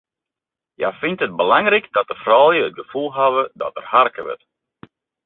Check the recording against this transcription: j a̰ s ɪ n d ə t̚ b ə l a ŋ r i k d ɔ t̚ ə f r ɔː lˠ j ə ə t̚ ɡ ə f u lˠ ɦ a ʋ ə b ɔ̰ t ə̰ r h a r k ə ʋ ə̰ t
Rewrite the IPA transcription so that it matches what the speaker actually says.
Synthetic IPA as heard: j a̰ f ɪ n t ə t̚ b ə l a ŋ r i k d ɔ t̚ ə f r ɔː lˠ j ə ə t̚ ɡ ə f u lˠ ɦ a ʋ ə d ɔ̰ t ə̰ r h a r k ə ʋ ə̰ t

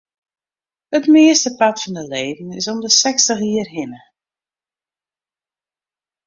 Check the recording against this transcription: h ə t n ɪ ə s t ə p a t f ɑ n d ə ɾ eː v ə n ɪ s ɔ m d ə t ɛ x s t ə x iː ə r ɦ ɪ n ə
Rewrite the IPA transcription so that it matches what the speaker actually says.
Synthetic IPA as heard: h ə t m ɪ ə s t ə p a t f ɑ n d ə l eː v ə n ɪ s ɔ m d ə s ɛ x s t ə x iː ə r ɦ ɪ n ə

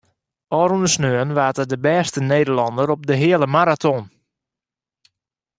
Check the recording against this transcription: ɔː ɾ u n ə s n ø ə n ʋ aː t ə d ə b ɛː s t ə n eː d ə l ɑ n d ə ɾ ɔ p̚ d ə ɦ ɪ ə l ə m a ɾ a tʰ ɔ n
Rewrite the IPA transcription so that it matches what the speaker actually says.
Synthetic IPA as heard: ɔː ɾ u n ə s n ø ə n ʋ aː t ə d ə b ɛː s t ə n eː d ə l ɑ n d ə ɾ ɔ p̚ d ə ɦ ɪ ə l ə m a ɾ a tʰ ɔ n

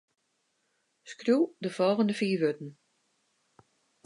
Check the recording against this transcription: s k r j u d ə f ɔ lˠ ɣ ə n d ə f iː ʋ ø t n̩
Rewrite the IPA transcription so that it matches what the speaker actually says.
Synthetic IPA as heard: s k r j u d ə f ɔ lˠ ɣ ə n d ə f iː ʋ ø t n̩

